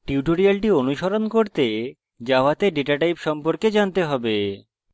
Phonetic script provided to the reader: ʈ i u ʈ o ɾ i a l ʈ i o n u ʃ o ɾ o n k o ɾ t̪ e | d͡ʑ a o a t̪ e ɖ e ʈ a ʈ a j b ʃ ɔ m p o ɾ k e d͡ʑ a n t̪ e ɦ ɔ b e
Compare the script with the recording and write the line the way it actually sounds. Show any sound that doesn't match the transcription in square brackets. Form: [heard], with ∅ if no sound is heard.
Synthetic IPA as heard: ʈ i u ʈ o ɾ i a l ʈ i o n u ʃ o ɾ o n k o ɾ t̪ e | d͡ʑ a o a t̪ e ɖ e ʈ a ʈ a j [p] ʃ ɔ m p o ɾ k e d͡ʑ a n t̪ e ɦ ɔ b e